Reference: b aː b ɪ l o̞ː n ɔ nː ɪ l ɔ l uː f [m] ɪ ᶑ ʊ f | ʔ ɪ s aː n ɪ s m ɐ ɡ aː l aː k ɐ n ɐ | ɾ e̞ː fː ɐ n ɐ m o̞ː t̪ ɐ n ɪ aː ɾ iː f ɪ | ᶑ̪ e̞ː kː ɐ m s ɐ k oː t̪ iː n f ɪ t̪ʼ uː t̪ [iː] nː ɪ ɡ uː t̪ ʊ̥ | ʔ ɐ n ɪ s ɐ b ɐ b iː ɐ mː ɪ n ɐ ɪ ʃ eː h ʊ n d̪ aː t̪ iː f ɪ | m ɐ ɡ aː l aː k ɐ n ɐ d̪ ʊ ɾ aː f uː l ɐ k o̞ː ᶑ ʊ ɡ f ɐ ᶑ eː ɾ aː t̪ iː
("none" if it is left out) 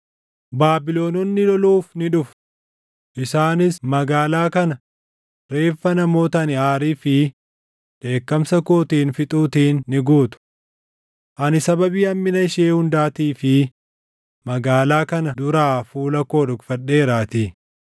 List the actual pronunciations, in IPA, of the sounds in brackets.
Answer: n, iː

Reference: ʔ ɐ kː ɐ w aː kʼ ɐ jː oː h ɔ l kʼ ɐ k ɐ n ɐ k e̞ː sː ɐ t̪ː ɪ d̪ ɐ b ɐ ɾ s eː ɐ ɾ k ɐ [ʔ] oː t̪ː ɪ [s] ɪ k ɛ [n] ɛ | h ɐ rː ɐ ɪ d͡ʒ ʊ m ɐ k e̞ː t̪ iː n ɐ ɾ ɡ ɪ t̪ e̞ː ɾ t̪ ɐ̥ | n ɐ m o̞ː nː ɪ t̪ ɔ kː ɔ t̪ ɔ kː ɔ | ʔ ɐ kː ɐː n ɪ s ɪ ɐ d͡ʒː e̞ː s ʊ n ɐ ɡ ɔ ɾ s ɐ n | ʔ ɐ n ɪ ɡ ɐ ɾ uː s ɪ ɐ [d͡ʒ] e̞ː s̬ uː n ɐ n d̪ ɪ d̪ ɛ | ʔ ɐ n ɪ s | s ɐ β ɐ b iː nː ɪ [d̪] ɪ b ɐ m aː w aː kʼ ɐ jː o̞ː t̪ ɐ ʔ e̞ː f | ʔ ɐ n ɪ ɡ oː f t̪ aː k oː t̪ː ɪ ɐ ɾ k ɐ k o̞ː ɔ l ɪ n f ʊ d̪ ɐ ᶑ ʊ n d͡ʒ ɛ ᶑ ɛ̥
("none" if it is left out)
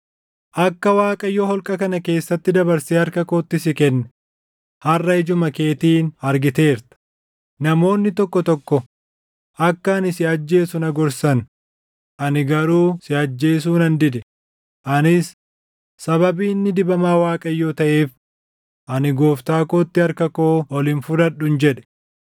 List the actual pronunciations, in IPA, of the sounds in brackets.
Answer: k, s, nː, d͡ʒː, d̪

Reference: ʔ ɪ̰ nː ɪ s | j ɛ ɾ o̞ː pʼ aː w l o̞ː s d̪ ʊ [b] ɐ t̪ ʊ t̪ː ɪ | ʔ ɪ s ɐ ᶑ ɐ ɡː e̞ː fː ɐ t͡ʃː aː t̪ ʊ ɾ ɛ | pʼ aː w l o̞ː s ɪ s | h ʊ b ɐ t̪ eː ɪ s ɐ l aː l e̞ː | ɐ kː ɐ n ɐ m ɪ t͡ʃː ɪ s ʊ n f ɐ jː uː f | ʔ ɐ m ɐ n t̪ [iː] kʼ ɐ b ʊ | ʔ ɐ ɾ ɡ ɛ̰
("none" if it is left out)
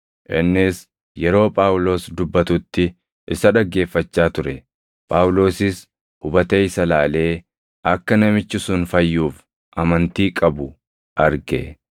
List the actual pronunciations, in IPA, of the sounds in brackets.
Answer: bː, iː

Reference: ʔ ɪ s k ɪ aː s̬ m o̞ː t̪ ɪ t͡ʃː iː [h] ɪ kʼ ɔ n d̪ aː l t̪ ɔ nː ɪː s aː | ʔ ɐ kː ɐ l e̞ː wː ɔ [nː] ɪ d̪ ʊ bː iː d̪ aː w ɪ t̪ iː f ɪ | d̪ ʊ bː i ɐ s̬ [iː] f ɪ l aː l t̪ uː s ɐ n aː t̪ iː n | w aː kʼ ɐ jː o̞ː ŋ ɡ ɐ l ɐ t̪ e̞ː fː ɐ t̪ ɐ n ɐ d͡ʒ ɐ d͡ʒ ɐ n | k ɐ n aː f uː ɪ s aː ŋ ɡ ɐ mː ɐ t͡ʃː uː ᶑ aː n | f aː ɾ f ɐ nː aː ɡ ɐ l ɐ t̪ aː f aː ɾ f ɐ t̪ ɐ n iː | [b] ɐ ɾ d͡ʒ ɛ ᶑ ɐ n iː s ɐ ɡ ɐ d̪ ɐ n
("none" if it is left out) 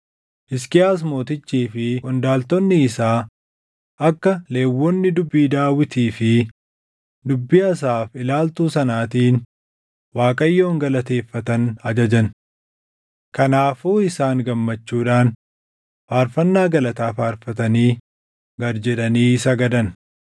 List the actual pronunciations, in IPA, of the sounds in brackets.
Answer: f, nː, aː, ɡ

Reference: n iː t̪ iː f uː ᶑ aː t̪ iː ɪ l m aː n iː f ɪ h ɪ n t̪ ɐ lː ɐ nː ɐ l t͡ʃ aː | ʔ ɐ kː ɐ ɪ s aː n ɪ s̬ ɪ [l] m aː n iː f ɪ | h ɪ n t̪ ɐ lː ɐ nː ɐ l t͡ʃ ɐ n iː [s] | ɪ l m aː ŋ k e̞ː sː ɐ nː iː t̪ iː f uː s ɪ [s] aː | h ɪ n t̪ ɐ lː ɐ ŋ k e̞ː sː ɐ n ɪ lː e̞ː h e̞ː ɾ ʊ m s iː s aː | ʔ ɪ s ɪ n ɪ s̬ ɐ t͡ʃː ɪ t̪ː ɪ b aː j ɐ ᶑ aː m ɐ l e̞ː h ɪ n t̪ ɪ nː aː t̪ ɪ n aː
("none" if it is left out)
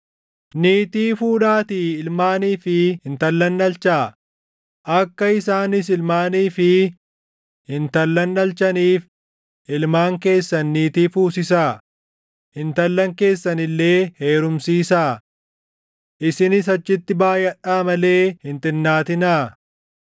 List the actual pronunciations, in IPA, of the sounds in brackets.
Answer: l, f, s

